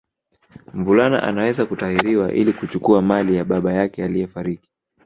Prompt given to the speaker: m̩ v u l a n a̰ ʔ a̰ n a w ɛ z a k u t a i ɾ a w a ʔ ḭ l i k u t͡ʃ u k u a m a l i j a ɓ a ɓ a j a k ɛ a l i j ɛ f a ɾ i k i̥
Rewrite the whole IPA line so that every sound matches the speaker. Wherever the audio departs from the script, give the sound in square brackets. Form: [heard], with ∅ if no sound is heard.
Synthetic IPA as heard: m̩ v u l a n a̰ ʔ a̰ n a w ɛ z a k u t a i ɾ [i] w a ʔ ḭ l i k u t͡ʃ u k u a m a l i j a ɓ a ɓ a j a k ɛ a l i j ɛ f a ɾ i k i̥